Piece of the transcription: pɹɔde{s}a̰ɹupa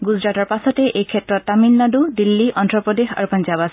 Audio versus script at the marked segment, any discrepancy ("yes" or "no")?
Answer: yes